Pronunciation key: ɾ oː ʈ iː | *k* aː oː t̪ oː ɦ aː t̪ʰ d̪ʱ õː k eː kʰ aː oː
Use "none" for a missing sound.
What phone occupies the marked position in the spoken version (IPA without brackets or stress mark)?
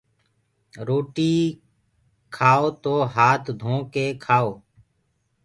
kʰ